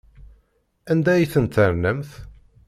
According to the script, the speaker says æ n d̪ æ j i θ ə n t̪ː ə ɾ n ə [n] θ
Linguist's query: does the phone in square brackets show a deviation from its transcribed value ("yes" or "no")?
yes